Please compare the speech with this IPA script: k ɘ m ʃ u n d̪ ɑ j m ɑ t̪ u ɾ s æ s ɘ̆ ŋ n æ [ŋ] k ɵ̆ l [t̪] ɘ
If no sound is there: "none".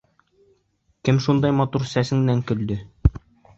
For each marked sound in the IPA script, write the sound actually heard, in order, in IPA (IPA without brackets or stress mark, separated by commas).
ŋ, d̪